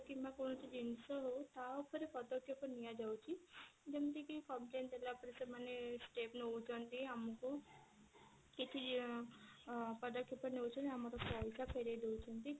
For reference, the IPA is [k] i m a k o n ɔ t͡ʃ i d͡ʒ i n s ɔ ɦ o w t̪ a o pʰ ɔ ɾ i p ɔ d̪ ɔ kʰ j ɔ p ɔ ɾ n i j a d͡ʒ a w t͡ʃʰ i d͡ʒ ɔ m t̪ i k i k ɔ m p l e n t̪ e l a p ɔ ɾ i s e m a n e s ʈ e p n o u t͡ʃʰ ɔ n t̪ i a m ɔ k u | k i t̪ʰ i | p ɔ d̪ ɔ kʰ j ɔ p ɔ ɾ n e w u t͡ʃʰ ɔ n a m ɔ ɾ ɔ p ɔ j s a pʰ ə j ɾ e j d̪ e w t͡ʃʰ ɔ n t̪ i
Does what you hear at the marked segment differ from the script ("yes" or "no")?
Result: no